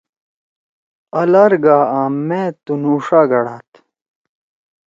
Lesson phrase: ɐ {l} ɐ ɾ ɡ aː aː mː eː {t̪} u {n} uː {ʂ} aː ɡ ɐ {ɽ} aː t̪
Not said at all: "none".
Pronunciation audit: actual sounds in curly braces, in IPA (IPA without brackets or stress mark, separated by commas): l, t̪, n, ʂ, ɽ